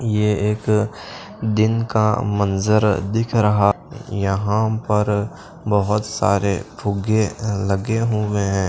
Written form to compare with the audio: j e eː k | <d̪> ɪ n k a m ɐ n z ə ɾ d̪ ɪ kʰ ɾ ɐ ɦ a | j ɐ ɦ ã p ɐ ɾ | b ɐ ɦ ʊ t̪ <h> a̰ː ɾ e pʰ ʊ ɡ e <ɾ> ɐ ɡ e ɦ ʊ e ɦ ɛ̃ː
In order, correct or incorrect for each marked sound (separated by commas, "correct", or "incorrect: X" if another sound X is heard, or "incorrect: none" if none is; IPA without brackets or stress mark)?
correct, incorrect: s, incorrect: l